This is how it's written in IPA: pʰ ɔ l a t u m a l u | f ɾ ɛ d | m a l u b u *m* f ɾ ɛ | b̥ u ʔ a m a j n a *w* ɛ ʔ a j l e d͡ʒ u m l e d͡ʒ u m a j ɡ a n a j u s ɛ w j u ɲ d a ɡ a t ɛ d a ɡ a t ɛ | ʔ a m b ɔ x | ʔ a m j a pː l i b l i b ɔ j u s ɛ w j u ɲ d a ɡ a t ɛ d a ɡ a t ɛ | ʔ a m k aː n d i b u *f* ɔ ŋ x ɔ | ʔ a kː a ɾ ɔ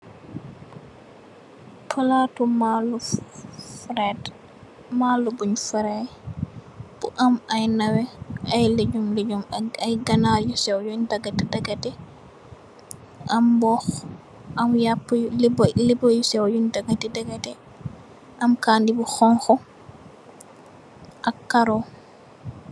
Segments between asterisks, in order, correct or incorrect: incorrect: ɲ, correct, incorrect: x

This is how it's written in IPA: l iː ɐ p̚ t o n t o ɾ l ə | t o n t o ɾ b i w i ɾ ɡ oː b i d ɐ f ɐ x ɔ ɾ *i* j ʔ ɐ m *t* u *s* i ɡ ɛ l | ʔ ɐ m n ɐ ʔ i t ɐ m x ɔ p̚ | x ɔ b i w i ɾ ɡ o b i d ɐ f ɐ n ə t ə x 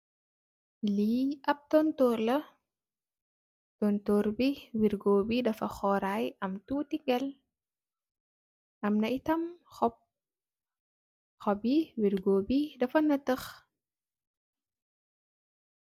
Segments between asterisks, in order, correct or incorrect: incorrect: a, correct, incorrect: t

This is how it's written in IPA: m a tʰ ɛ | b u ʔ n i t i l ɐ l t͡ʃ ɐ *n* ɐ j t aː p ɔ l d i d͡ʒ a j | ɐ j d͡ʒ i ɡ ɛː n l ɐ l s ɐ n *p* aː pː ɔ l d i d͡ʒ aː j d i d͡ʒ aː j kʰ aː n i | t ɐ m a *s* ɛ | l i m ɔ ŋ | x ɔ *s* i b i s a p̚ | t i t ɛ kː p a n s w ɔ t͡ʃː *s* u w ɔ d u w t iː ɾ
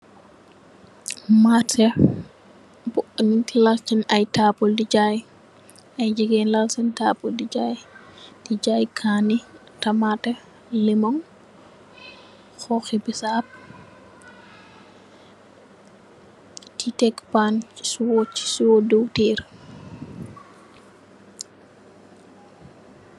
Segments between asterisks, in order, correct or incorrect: correct, incorrect: t, incorrect: t, incorrect: x, correct

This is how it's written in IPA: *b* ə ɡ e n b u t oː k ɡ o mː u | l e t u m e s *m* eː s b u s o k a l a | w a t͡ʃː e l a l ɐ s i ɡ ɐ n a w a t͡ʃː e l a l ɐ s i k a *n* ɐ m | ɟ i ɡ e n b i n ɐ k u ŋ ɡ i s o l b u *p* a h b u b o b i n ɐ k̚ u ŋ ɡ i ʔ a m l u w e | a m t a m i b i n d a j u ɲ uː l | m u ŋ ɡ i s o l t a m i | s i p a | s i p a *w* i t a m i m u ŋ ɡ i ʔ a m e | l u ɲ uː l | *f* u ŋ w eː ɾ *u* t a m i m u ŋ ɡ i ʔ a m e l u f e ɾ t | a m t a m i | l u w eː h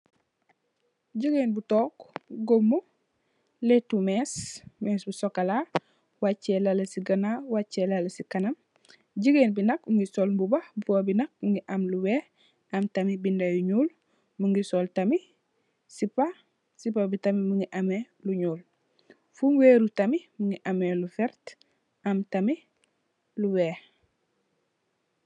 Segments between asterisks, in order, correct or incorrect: incorrect: ɟ, correct, correct, incorrect: b, incorrect: b, correct, correct

